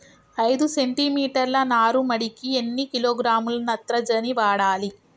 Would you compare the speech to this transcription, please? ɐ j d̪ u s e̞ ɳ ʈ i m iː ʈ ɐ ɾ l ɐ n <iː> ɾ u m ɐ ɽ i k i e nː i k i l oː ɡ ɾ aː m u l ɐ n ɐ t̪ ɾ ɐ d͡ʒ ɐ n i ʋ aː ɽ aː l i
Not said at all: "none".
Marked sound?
aː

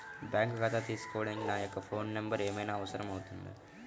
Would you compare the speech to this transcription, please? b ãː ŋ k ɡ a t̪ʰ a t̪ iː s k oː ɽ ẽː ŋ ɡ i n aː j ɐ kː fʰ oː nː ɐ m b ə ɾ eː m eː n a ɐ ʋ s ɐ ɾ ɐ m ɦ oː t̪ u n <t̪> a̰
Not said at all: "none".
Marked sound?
d̪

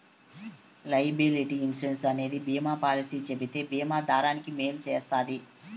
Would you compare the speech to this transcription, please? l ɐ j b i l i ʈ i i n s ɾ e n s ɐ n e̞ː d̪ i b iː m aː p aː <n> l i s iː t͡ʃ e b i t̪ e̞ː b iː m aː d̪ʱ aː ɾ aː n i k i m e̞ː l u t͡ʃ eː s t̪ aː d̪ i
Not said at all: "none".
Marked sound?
none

